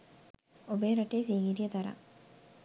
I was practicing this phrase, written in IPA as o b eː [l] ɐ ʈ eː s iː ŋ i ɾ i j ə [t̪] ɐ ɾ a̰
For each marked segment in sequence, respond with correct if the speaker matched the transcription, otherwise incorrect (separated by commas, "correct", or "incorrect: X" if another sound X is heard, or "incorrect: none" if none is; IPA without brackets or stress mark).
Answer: incorrect: ɾ, correct